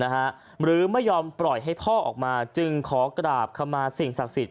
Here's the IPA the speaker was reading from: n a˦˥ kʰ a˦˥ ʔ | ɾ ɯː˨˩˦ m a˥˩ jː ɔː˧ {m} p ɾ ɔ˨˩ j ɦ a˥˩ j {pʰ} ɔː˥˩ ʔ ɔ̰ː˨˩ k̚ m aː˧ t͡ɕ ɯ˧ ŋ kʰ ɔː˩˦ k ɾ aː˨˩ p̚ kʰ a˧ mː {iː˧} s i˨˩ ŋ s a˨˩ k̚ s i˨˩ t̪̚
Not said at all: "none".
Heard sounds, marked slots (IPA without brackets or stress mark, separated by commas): m, pʰ, aː˧